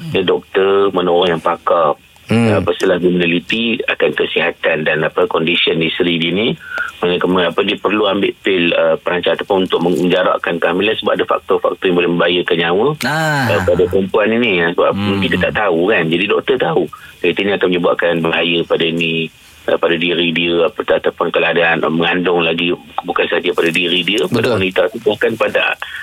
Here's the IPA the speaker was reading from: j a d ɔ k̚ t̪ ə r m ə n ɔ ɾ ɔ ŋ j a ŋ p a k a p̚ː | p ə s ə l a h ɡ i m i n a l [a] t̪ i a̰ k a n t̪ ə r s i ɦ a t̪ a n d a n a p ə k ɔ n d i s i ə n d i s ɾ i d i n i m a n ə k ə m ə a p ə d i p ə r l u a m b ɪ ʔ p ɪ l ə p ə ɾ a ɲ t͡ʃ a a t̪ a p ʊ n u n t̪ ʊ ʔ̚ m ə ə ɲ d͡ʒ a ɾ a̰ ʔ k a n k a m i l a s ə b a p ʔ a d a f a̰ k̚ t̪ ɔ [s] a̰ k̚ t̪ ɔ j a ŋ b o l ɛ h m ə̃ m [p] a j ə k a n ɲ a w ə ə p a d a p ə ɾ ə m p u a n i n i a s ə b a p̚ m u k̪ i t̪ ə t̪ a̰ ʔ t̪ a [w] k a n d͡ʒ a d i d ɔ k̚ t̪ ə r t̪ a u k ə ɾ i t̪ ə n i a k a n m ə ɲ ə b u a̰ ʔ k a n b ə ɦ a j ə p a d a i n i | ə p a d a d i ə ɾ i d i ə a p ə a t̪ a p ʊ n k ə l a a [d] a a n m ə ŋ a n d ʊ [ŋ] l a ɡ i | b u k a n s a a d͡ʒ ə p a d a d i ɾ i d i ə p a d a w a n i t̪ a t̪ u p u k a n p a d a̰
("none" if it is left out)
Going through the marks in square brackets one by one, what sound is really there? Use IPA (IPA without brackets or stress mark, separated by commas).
i, f, b, u, d, ŋ